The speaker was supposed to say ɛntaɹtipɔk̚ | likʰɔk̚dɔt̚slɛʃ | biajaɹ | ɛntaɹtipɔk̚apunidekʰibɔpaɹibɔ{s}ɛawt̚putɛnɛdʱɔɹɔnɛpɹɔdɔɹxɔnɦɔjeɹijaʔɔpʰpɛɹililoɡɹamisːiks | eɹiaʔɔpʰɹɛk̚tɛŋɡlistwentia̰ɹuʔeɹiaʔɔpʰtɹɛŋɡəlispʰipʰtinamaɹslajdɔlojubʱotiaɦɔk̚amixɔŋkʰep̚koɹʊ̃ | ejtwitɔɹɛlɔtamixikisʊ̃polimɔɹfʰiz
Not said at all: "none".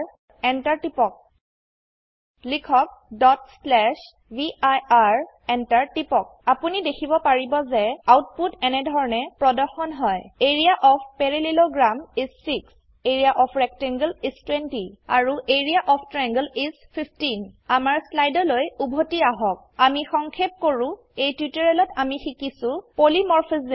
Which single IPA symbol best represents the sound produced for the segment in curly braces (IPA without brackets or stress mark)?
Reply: z